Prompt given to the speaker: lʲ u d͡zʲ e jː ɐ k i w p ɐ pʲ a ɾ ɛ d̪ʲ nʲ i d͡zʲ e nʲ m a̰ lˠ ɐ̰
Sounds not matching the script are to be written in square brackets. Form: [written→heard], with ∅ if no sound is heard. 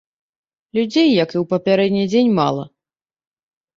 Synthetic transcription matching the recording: lʲ u d͡zʲ e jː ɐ k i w p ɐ pʲ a ɾ ɛ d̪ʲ nʲ i d͡zʲ e nʲ m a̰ lˠ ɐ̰